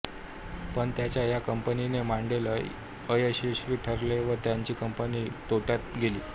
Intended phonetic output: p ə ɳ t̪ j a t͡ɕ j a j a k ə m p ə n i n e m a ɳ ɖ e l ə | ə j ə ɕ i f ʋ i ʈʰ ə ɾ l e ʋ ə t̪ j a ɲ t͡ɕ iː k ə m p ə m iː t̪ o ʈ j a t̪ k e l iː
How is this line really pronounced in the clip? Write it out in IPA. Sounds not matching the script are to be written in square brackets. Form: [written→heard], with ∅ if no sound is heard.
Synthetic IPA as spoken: p ə ɳ t̪ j a t͡ɕ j a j a k ə m p ə n i n e m a ɳ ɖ e l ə | ə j ə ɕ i [f→ɕ] ʋ i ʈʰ ə ɾ l e ʋ ə t̪ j a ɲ t͡ɕ iː k ə m p ə [m→n] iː t̪ o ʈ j a t̪ [k→ɡ] e l iː